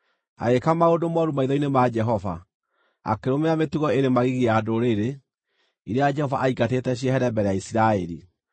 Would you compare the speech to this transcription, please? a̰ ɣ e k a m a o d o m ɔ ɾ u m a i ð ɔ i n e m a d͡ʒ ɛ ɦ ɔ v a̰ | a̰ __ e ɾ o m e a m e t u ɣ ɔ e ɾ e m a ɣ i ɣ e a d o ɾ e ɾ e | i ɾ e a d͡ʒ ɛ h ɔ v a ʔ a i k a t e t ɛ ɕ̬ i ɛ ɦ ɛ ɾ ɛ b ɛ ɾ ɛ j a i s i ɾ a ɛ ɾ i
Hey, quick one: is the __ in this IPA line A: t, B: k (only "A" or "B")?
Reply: B